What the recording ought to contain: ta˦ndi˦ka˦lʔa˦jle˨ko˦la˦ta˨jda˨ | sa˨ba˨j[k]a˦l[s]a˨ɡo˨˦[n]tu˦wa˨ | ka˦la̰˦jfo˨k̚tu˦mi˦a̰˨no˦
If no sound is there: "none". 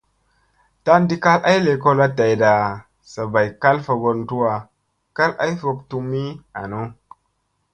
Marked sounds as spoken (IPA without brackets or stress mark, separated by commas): k, f, n